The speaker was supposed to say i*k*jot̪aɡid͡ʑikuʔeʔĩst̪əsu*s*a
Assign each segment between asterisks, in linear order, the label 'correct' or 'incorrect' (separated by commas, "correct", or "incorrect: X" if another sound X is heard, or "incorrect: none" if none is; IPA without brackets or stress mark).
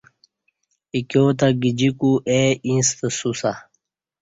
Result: correct, correct